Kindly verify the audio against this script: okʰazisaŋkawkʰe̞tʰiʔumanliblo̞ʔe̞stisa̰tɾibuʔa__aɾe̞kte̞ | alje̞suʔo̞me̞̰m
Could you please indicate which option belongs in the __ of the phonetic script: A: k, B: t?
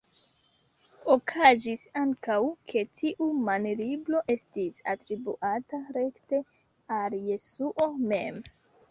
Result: B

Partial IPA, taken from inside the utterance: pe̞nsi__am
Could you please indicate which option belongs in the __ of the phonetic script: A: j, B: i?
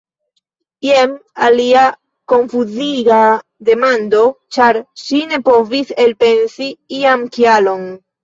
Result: B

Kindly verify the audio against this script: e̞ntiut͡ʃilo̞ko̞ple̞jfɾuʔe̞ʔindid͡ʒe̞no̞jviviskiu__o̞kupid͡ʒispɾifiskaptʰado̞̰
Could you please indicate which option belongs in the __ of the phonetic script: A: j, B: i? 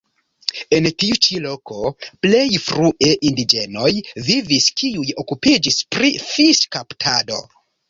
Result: A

